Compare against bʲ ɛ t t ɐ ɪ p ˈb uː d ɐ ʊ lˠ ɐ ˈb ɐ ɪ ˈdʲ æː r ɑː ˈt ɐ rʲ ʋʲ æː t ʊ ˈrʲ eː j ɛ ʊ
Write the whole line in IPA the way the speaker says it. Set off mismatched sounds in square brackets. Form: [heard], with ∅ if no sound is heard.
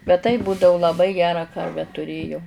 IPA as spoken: bʲ ɛ t t ɐ ɪ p ˈb uː d ɐ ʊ lˠ ɐ ˈb ɐ ɪ [ˈɡʲ] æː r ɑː [ˈk] ɐ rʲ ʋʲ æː t ʊ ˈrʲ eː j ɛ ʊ